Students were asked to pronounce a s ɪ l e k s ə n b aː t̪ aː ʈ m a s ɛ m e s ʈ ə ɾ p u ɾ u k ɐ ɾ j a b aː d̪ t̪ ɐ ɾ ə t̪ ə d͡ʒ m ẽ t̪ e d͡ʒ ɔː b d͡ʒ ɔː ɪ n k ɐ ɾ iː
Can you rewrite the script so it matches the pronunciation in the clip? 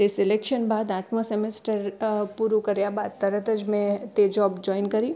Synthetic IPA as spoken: e s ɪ l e k ʃ ə n b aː d̪ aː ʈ m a s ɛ m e s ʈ ə ɾ p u ɾ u k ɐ ɾ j a b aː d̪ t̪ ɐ ɾ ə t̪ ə d͡ʒ m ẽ t̪ e d͡ʒ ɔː b d͡ʒ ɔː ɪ n k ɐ ɾ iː